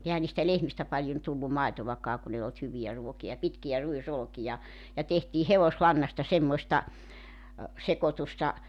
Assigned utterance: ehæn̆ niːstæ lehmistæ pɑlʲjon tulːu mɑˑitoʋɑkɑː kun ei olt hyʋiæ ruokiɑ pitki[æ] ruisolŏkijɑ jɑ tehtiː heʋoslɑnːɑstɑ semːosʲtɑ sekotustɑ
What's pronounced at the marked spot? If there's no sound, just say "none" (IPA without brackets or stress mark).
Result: æ